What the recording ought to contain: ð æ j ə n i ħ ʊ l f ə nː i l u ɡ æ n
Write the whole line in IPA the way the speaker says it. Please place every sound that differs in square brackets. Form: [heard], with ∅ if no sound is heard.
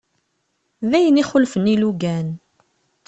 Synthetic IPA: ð æ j ə n i [χ] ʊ l f ə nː i l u ɡ æ n